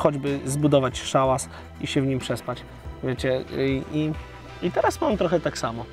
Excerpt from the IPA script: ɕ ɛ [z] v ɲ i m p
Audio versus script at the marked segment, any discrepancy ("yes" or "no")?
yes